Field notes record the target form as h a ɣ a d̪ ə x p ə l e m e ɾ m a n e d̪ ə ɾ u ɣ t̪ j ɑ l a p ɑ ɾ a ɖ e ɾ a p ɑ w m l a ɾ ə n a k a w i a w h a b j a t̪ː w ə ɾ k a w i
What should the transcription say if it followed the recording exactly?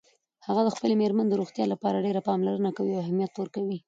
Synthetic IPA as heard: h a ɣ a d̪ ə x p ə l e m e ɾ m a n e d̪ ə ɾ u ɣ t̪ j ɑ l a p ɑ ɾ a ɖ e ɾ a p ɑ m l a ɾ ə n a k a w i a w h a m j a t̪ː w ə ɾ k a w i

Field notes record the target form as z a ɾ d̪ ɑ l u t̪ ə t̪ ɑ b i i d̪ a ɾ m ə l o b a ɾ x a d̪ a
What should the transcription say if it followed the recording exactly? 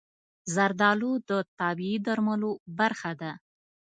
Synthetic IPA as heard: z a ɾ d̪ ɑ l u d̪ ə t̪ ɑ b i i d̪ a ɾ m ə l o b a ɾ x a d̪ a

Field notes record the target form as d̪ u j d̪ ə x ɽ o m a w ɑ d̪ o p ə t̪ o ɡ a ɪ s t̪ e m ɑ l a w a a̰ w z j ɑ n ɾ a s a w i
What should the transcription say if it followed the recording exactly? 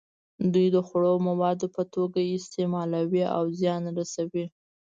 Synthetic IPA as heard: d̪ u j d̪ ə x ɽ o m a w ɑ d̪ o p ə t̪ o ɡ a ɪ s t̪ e m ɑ l a w i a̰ w z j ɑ n ɾ a s a w i

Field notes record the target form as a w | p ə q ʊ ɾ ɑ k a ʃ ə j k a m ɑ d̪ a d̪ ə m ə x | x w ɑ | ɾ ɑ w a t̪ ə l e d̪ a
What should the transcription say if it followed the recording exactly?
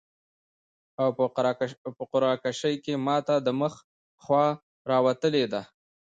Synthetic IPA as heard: a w | p ə q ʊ ɾ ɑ k a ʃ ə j k e m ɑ t̪ a d̪ ə m ə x | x w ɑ | ɾ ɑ w a t̪ ə l e d̪ a

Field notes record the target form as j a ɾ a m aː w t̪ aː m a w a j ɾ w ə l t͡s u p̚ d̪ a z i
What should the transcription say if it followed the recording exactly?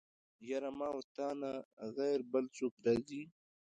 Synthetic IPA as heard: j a ɾ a m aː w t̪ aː n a ɣ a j ɾ b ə l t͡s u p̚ d̪ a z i

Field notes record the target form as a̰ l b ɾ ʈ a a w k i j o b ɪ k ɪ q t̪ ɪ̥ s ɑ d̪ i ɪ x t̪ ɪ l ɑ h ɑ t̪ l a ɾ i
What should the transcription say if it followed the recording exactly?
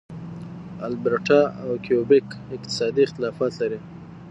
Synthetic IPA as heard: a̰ l b ɾ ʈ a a w k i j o b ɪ k ɪ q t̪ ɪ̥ s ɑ d̪ i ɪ x t̪ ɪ l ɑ f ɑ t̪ l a ɾ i

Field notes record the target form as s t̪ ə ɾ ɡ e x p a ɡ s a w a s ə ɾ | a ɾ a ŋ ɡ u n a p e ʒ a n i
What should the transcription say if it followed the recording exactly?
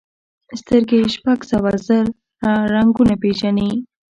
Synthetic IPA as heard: s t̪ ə ɾ ɡ e ʃ p a ɡ s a w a z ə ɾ | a ɾ a ŋ ɡ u n a p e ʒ a n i

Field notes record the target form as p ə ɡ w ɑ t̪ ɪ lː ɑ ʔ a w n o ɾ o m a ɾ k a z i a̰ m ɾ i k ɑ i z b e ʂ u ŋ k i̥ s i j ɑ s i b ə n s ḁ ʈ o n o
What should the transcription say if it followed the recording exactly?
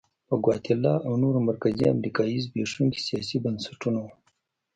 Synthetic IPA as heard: p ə ɡ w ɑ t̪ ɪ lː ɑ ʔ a w n o ɾ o m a ɾ k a z i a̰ m ɾ i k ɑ i z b e ʂ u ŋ k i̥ s i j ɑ s i b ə n s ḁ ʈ u n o

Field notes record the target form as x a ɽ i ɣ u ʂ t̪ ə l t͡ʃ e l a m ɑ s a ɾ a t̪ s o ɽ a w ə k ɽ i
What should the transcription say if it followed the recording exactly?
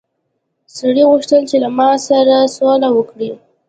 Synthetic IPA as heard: s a ɽ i ɣ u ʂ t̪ ə l t͡ʃ e l a m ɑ s a ɾ a s o l a w ə k ɽ i

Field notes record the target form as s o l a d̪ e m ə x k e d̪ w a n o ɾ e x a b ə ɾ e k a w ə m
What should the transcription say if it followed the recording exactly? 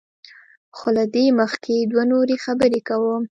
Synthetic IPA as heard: x o l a d̪ e m ə x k e d̪ w a n o ɾ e x a b ə ɾ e k a w ə m

